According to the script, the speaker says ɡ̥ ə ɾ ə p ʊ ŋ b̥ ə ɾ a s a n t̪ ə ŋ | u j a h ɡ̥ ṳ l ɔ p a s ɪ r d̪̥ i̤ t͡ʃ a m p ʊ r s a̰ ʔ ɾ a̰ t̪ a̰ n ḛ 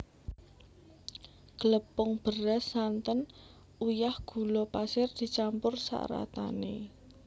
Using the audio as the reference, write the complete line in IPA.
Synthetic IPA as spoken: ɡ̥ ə l ə p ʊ ŋ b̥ ə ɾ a s a n t̪ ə n | u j a h ɡ̥ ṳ l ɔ p a s ɪ r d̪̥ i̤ t͡ʃ a m p ʊ r s a̰ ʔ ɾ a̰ t̪ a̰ n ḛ